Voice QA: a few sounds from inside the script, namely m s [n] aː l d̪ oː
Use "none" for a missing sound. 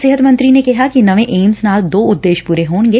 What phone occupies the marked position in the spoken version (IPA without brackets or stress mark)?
n